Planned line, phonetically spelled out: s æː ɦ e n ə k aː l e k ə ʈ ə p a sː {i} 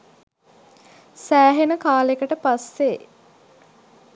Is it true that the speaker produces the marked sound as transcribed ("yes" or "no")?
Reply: no